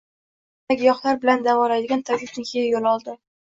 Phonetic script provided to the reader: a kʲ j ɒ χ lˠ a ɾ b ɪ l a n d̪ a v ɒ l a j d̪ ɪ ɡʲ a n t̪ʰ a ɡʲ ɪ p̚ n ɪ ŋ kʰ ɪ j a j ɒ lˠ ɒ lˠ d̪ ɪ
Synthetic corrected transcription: a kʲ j ɒ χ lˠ a ɾ b ɪ l a n d̪ a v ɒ l a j d̪ ɪ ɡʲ a n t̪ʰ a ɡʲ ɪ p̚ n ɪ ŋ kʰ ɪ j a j o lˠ ɒ lˠ d̪ ɪ